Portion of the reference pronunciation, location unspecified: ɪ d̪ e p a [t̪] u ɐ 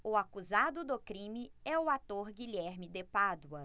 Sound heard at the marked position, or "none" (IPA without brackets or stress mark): d̪